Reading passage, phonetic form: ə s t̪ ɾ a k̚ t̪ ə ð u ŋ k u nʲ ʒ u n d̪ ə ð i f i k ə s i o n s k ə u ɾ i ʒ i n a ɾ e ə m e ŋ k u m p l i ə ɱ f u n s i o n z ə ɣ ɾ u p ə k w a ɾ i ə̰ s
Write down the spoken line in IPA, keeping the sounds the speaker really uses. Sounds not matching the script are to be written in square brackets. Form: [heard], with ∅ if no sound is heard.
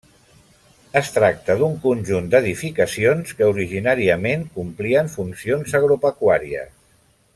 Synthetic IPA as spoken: ə s t̪ ɾ a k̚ t̪ ə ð u ŋ k u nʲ ʒ u n d̪ ə ð i f i k ə s i o n s k ə u ɾ i ʒ i n a ɾ [i] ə m e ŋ k u m p l i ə ɱ f u n s i o n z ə ɣ ɾ u p ə k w a ɾ i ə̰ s